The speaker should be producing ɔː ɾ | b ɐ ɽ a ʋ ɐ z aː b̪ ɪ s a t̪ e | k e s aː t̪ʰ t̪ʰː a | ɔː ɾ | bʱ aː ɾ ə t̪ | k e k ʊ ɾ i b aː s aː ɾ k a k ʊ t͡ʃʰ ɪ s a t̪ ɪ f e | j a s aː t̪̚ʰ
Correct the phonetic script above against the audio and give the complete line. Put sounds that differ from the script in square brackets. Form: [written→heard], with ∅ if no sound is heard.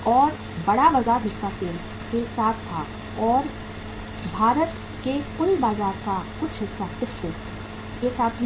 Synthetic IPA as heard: ɔː ɾ | b ɐ ɽ a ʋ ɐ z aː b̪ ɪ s a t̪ e | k e s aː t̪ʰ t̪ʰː a | ɔː ɾ | bʱ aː ɾ ə t̪ | k e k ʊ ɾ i b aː [s→z] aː ɾ k a k ʊ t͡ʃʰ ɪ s a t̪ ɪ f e | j [a→e] s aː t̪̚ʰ